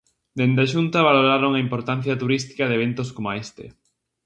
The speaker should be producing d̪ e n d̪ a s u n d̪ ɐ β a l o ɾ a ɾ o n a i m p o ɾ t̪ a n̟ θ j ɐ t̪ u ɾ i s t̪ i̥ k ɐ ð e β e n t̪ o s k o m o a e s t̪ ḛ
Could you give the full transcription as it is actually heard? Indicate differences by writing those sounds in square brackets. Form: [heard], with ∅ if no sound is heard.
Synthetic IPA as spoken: d̪ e n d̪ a [ʃ] u n [t̪] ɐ β a l o ɾ a ɾ o [ŋ] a i m p o ɾ t̪ a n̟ θ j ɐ t̪ u ɾ i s t̪ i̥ k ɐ ð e β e n t̪ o s k o m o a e s t̪ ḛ